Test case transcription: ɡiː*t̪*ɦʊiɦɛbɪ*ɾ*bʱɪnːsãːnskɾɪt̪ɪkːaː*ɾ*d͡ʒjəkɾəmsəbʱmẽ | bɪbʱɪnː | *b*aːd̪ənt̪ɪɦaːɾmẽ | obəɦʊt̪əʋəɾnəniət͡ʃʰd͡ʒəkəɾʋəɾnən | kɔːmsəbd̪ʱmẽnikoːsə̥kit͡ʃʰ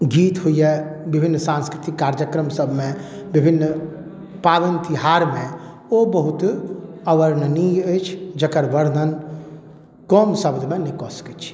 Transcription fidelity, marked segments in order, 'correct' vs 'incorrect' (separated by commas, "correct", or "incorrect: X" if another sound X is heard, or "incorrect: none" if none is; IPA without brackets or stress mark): correct, incorrect: none, correct, incorrect: p